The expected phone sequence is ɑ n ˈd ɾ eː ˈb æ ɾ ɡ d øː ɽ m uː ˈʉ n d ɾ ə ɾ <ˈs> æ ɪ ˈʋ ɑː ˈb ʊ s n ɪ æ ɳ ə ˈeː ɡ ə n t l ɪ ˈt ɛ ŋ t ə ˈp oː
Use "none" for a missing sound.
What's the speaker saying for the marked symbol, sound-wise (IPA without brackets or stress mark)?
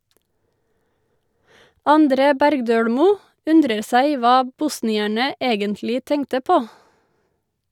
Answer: s